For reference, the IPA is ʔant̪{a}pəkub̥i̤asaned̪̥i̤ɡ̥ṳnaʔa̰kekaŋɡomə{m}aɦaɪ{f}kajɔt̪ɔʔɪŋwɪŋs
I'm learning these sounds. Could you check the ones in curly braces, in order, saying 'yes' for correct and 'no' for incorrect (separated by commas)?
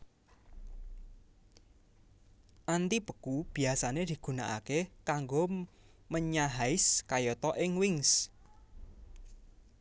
no, no, no